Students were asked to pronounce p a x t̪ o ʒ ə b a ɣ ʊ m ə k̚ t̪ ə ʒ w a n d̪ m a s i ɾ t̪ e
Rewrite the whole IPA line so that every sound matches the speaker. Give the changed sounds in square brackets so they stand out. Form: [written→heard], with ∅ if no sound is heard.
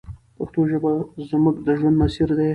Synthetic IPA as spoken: p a x t̪ o ʒ ə b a [ɣ→z] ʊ m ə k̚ [t̪→d̪] ə ʒ w a n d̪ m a s i ɾ [t̪→d̪] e